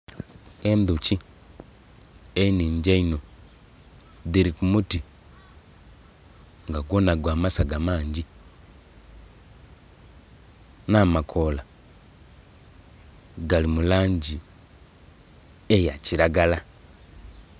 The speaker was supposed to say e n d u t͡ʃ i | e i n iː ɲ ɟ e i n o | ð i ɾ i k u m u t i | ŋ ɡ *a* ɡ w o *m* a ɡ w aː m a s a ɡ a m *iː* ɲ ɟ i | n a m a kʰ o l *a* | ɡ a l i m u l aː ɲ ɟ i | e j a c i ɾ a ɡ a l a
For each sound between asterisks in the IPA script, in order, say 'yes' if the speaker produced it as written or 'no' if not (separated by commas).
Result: yes, no, no, yes